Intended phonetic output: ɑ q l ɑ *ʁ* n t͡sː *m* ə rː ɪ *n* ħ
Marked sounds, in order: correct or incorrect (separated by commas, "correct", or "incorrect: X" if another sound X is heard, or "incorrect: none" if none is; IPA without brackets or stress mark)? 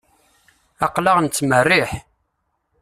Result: correct, correct, incorrect: none